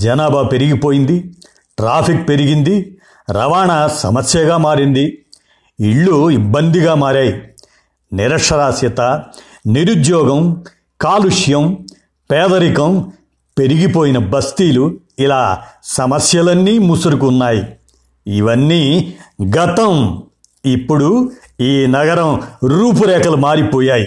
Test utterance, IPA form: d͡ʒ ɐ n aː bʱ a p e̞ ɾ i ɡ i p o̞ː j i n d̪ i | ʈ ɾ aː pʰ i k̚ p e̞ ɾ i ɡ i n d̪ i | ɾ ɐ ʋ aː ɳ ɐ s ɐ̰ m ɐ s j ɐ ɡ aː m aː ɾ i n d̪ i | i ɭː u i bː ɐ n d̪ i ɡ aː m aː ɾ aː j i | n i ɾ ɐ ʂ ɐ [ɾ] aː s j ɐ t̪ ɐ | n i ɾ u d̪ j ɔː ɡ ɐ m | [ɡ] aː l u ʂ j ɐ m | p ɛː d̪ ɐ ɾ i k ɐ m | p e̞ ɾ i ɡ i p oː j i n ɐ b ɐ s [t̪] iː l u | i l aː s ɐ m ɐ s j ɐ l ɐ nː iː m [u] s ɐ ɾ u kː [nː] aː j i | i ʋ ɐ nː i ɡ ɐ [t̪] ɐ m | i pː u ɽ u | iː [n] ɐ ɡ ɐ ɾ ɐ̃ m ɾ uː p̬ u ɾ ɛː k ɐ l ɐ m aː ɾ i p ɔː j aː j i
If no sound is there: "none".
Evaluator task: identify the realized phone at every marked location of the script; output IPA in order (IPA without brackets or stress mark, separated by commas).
ɾ, k, t̪, u, nː, t̪, n